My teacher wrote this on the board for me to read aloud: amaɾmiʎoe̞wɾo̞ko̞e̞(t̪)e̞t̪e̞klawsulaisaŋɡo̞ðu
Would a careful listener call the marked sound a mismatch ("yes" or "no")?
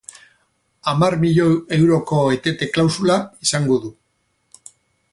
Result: no